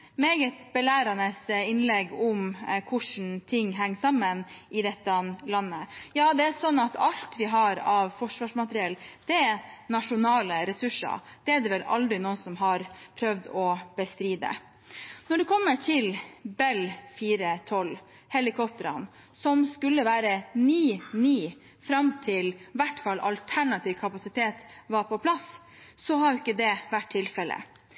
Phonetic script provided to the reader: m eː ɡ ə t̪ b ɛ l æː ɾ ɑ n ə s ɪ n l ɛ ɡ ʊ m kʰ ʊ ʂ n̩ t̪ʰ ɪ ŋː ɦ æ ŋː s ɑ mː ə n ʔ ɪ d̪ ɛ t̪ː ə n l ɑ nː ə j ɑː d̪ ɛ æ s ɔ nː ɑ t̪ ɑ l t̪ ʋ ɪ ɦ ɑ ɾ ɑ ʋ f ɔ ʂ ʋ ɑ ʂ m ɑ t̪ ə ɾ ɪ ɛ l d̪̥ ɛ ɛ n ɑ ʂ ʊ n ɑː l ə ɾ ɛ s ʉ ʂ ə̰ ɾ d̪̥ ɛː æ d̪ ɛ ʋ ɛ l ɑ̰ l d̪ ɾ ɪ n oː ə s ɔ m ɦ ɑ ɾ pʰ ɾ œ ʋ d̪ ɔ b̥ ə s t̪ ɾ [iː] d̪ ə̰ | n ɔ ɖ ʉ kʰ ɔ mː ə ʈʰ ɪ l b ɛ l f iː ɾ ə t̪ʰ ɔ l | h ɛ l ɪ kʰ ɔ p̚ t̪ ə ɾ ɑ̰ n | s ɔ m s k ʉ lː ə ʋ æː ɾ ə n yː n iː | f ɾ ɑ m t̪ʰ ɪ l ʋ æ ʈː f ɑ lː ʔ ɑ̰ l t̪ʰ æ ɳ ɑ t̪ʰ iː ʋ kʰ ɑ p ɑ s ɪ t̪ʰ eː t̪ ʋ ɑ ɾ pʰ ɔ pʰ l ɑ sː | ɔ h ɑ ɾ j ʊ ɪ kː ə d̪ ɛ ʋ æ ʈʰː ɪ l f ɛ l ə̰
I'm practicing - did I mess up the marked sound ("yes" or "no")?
no